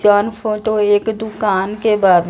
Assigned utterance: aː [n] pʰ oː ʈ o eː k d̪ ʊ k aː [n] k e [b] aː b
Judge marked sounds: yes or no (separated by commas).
yes, yes, yes